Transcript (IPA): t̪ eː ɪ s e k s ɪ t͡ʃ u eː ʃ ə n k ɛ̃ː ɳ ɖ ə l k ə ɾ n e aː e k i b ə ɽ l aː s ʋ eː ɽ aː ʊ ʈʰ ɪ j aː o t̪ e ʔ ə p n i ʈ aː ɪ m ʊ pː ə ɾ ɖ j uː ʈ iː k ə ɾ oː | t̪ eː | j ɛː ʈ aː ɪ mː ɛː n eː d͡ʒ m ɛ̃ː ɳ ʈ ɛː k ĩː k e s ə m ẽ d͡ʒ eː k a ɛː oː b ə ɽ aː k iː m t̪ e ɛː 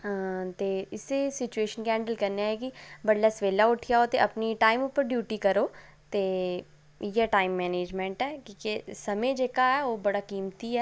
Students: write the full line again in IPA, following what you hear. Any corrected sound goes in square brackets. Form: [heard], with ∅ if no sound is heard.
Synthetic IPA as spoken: t̪ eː ɪ s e [∅] s ɪ t͡ʃ u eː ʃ ə n k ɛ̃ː ɳ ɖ ə l k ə ɾ n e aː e k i b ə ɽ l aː s ʋ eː [l] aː ʊ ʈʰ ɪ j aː o t̪ e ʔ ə p n i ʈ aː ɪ m ʊ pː ə ɾ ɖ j uː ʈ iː k ə ɾ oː | t̪ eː | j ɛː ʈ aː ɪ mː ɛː n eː d͡ʒ m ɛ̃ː ɳ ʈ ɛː k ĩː k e s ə m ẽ d͡ʒ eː k a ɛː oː b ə ɽ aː k iː m t̪ [i] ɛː